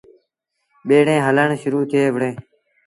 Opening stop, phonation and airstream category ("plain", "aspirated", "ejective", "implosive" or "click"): implosive